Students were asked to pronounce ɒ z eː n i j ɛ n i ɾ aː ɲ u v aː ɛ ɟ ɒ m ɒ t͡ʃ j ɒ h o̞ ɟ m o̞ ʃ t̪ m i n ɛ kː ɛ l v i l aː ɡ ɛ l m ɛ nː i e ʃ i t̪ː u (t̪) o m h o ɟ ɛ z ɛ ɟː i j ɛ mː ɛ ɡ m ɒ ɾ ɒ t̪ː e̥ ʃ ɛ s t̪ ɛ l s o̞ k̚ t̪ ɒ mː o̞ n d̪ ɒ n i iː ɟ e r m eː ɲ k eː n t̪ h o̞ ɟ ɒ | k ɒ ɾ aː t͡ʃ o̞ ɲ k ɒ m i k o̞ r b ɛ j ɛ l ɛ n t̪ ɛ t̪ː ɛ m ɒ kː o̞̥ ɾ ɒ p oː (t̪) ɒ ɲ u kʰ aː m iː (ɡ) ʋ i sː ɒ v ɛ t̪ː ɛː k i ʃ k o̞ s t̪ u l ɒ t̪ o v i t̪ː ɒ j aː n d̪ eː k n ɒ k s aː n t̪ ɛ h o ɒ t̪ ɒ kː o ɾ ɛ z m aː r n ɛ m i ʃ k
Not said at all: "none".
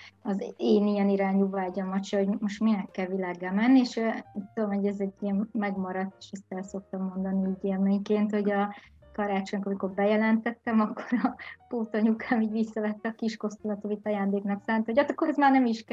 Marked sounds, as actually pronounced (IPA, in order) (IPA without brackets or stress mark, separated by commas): d̪, t̪, ɟ